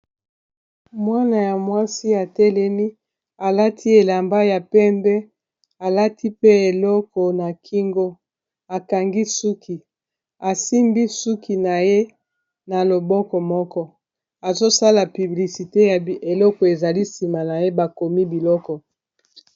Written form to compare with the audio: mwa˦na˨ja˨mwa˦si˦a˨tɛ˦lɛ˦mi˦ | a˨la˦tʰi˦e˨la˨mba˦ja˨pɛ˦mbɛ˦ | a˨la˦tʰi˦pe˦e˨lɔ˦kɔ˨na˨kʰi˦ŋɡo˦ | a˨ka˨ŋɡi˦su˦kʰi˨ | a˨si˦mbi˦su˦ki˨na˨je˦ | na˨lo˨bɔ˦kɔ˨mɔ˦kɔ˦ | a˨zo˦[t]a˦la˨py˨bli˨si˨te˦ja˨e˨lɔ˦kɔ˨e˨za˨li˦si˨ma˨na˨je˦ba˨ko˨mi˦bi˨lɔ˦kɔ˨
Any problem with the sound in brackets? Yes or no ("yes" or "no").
yes